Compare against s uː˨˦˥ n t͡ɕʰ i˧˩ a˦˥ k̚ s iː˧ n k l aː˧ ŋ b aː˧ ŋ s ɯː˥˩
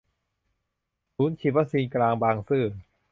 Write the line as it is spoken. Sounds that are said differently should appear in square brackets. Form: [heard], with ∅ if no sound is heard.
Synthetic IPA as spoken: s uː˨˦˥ n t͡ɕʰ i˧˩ a˦˥ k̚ s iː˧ n k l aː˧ ŋ b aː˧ ŋ s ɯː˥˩